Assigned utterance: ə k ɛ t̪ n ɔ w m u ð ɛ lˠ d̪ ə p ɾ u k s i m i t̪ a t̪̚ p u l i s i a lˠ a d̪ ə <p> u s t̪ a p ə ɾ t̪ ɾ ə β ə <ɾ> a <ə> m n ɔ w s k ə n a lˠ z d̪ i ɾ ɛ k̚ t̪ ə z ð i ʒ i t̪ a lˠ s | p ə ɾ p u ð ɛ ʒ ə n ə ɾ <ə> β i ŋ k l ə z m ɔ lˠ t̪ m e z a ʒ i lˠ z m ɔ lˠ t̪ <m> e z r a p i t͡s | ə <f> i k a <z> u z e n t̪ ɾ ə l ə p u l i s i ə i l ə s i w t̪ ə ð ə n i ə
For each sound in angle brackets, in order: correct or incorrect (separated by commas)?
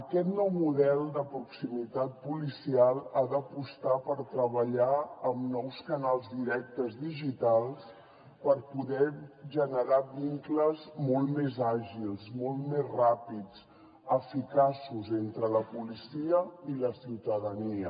correct, incorrect, correct, incorrect, correct, correct, incorrect